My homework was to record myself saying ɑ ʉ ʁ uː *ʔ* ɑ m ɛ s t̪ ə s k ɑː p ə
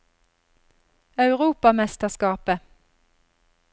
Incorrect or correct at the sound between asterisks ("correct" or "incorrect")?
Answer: incorrect